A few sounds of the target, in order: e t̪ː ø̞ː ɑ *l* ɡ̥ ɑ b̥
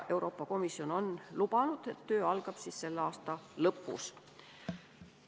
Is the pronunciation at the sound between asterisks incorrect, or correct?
correct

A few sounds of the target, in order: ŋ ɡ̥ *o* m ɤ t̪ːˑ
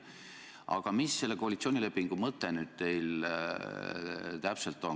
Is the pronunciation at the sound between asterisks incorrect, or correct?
incorrect: u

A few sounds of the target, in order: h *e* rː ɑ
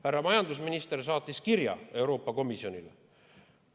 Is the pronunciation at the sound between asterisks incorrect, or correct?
incorrect: æ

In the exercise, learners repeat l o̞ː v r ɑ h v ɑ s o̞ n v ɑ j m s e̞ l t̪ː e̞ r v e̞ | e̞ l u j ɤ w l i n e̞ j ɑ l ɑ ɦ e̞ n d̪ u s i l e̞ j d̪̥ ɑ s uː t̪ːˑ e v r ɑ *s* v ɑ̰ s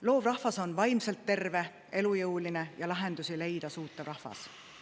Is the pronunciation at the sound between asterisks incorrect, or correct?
incorrect: h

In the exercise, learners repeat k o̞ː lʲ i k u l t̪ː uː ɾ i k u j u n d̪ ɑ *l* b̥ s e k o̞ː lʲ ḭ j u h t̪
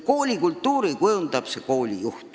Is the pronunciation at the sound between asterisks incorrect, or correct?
incorrect: none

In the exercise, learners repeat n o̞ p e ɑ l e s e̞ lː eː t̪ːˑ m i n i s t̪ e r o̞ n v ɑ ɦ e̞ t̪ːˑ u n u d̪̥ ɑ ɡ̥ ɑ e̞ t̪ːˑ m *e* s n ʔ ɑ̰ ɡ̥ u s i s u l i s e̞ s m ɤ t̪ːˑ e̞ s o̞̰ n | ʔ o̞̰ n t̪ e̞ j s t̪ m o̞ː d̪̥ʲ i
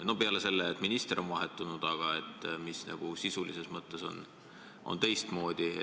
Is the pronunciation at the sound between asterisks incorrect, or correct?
incorrect: i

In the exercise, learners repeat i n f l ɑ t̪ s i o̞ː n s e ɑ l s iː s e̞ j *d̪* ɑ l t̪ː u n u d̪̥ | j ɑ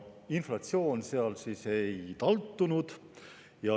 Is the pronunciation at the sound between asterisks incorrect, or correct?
incorrect: t̪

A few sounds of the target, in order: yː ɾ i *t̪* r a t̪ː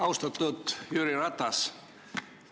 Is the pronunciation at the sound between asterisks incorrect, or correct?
incorrect: none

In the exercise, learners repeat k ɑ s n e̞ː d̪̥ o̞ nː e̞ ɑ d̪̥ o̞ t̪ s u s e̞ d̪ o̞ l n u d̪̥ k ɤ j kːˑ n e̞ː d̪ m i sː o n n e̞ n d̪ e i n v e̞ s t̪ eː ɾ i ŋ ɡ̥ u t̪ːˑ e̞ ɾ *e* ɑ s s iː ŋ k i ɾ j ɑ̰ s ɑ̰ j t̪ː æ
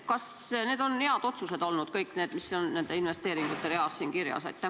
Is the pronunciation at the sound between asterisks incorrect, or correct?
correct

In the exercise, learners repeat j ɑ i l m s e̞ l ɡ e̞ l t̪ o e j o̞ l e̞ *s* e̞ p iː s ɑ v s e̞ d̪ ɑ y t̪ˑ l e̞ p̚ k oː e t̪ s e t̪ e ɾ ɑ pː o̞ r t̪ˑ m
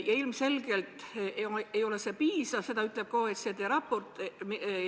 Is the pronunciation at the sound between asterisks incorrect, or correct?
correct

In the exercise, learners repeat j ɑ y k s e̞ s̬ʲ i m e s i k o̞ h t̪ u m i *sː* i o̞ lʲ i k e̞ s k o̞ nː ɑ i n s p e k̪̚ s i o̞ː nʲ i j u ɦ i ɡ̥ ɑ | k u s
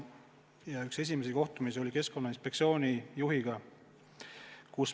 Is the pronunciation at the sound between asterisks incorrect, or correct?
incorrect: s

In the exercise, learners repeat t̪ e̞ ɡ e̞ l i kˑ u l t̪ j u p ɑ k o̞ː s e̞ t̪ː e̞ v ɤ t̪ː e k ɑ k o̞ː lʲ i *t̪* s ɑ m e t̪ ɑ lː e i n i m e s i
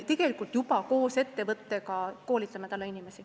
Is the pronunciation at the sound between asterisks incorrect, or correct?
correct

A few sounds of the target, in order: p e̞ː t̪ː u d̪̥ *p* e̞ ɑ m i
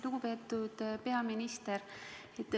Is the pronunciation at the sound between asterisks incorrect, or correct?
correct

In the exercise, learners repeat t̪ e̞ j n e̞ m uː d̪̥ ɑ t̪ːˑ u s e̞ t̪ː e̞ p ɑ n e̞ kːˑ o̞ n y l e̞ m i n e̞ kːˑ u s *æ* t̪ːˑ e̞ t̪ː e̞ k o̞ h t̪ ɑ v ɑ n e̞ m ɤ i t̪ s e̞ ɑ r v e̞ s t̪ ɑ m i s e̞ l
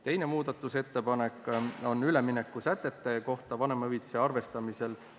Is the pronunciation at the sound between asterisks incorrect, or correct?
correct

